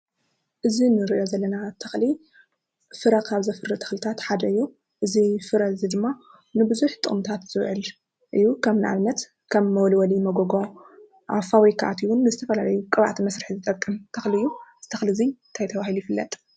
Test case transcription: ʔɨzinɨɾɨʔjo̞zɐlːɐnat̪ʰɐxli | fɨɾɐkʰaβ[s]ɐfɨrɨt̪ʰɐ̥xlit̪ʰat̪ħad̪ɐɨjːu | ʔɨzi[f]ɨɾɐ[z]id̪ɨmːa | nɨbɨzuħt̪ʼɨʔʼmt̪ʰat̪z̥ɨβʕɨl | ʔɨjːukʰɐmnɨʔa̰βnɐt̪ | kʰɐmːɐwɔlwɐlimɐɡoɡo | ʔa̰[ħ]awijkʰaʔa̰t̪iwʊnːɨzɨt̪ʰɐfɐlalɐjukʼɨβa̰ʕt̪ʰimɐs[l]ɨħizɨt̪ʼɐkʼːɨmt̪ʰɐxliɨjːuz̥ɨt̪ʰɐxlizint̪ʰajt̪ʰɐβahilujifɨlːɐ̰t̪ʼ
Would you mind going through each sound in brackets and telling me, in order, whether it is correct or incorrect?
incorrect: z, correct, correct, incorrect: f, incorrect: ɾ

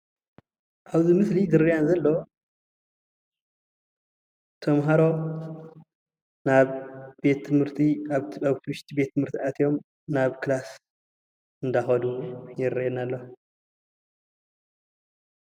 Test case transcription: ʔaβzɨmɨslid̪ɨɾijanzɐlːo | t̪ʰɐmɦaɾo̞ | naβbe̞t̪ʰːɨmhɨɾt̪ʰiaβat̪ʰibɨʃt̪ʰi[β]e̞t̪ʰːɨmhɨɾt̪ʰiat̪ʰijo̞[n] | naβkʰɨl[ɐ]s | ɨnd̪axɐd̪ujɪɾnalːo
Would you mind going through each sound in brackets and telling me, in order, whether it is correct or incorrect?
incorrect: b, incorrect: m, incorrect: a

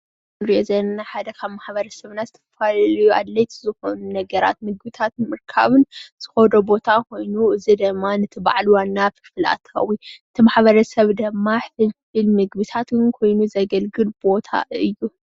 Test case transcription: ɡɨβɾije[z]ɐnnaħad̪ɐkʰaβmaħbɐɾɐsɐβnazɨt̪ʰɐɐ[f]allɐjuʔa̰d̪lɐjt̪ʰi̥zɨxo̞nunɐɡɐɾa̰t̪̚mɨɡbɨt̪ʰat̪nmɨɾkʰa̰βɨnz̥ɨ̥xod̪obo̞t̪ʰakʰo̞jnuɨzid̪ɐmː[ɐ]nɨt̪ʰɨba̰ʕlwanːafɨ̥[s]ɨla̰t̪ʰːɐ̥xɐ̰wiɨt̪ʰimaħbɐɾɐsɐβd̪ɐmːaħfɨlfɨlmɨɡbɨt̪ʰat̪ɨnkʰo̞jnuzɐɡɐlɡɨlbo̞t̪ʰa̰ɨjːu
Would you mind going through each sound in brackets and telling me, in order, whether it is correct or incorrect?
correct, correct, incorrect: a, incorrect: f

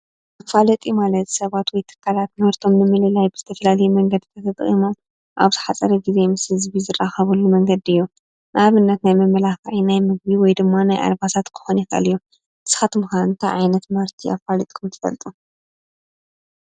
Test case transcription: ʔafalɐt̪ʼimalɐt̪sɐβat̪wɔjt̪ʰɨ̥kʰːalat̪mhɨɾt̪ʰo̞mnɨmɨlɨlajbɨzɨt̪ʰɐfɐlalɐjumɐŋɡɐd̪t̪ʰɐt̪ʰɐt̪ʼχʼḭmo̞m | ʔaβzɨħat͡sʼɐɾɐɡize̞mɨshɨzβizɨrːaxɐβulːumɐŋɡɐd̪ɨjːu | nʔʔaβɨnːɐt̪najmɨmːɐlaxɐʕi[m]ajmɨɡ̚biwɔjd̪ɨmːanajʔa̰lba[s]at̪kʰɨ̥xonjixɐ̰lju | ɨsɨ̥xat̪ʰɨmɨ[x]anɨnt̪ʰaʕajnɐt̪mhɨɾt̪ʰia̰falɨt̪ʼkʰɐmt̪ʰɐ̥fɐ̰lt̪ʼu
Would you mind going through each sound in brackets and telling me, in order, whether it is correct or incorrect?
incorrect: n, correct, correct

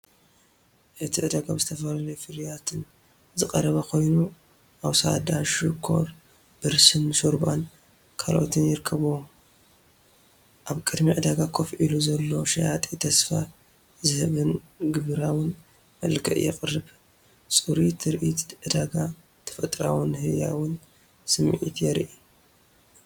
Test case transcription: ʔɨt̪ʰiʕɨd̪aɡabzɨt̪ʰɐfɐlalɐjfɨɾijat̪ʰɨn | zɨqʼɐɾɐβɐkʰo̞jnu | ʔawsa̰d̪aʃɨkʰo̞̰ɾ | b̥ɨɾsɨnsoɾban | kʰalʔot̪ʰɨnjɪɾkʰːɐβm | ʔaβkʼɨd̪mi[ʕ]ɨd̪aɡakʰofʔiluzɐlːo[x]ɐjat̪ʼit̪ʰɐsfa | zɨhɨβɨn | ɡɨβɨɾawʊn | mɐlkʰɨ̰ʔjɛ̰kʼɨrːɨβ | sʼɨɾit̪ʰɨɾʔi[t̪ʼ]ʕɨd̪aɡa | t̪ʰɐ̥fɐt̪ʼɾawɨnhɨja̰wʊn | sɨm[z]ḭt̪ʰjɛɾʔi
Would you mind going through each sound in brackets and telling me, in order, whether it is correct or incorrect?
correct, incorrect: ʃ, incorrect: t̪, incorrect: ʕ

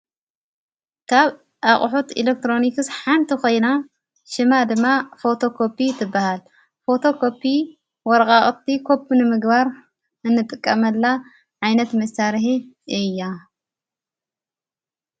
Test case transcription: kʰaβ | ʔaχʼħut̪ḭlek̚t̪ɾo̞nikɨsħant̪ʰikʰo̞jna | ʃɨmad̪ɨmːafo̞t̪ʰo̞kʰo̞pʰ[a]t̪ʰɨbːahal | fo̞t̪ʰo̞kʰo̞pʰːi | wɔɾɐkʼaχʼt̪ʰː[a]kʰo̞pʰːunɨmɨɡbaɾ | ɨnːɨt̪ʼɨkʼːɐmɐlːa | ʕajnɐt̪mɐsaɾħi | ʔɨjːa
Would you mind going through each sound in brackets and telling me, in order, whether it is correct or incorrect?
incorrect: i, incorrect: i

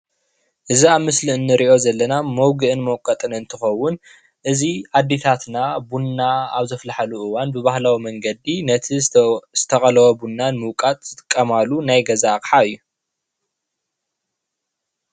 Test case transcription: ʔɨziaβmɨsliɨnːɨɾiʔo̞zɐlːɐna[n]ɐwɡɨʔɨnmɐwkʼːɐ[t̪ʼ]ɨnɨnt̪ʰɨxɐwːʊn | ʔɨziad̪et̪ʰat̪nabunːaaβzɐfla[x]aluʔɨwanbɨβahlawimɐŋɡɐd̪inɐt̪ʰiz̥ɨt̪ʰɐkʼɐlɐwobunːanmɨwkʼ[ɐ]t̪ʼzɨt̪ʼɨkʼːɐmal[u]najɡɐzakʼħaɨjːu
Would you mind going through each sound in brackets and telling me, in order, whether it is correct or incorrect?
incorrect: m, correct, incorrect: ħ, incorrect: a, correct

